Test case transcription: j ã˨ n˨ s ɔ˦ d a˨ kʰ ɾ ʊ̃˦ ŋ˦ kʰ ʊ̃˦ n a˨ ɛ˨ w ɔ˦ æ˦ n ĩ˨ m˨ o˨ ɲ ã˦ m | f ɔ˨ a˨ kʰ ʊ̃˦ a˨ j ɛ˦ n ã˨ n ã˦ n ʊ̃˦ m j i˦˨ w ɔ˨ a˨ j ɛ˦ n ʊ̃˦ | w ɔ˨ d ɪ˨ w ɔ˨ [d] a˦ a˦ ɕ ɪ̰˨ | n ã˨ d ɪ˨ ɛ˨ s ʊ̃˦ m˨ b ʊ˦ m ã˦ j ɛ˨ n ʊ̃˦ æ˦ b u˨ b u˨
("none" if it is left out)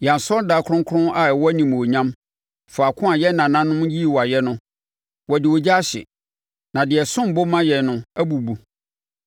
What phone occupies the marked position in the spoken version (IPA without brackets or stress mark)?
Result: d͡ʑ